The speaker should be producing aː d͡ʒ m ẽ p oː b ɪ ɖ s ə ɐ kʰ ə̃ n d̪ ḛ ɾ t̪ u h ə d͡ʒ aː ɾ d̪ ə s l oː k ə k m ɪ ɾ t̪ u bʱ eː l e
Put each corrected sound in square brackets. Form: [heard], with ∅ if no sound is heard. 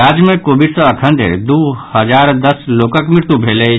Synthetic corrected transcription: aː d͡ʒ m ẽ [k] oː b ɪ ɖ s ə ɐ kʰ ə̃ n d̪ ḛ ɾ [d̪] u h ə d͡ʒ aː ɾ d̪ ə s l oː k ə k m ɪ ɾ t̪ u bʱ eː l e